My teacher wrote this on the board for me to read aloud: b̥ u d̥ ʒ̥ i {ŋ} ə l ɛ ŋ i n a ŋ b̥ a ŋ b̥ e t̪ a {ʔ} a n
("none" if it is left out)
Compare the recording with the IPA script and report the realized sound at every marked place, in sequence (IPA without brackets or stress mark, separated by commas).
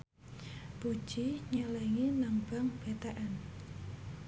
ɲ, ʔ